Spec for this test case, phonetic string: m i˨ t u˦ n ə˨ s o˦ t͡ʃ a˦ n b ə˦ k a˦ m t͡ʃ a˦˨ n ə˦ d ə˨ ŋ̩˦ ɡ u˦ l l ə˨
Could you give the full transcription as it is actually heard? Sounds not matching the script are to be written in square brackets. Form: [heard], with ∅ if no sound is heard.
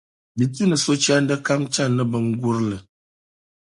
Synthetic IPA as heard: [b] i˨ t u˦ n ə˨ s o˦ t͡ʃ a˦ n [d] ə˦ k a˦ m t͡ʃ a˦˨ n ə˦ [b] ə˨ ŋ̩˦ ɡ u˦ [ɾ] l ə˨